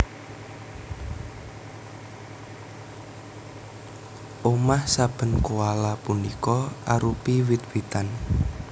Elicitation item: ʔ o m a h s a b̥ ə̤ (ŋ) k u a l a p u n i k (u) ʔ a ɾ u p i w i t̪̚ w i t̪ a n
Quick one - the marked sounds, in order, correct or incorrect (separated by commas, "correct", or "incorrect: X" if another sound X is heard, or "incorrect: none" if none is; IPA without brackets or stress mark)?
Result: incorrect: n, incorrect: ɔ